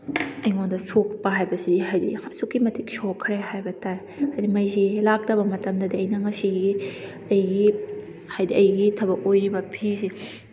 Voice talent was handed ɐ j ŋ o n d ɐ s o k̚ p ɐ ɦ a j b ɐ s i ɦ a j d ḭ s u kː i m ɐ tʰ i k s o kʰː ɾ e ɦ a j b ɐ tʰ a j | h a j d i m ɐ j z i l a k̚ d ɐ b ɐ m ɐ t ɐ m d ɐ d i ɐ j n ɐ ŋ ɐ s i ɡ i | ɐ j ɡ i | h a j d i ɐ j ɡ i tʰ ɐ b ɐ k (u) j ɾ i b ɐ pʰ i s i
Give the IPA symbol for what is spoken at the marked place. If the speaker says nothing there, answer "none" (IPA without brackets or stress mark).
o